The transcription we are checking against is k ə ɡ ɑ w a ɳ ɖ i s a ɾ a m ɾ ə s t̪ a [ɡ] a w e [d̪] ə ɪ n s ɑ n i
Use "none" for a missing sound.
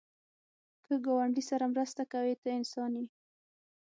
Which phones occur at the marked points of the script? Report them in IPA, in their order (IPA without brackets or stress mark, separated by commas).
k, t̪